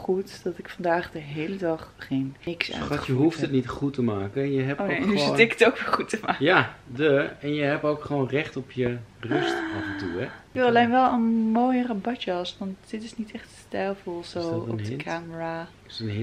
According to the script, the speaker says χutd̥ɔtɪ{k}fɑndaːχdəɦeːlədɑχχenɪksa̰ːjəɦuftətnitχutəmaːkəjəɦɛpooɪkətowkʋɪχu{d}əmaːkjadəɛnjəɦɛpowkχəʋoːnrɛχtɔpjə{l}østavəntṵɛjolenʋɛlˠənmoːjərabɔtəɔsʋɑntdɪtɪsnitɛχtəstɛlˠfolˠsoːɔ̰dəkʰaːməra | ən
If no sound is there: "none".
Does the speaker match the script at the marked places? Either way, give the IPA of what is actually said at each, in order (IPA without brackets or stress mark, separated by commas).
k, t, r